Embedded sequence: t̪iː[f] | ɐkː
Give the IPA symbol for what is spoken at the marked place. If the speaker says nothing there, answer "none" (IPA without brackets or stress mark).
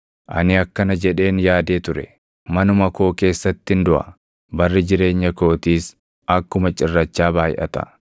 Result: s